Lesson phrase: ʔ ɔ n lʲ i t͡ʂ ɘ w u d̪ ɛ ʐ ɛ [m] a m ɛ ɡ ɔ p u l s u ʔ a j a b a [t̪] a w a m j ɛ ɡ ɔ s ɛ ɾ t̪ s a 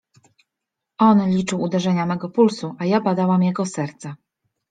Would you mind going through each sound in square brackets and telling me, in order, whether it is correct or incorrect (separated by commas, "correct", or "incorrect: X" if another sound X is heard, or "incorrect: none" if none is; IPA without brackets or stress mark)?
incorrect: ɲ, incorrect: d̪